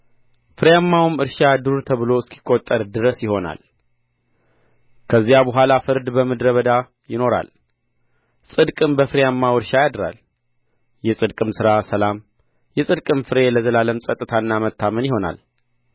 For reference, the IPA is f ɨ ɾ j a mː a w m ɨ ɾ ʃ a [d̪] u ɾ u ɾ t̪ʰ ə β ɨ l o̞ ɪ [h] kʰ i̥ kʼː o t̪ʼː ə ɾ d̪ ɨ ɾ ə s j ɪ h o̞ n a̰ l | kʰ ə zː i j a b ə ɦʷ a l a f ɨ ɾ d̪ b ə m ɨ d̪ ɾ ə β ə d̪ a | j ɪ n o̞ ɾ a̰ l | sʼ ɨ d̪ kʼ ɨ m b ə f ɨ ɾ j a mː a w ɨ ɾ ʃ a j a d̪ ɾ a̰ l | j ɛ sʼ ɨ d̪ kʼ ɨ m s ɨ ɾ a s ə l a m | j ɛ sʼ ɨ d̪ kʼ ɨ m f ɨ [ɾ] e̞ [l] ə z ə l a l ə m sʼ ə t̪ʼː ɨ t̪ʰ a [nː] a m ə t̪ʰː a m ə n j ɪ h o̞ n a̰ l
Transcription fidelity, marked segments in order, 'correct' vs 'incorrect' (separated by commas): correct, incorrect, correct, correct, correct